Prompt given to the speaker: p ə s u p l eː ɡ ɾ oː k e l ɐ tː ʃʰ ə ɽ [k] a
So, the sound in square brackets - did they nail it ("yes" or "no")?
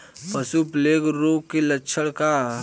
yes